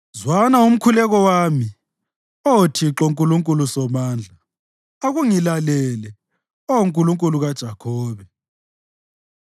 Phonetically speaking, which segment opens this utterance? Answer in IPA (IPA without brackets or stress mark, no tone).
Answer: z